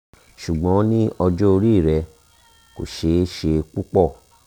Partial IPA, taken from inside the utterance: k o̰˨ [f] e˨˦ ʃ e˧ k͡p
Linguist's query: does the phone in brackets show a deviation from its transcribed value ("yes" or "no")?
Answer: yes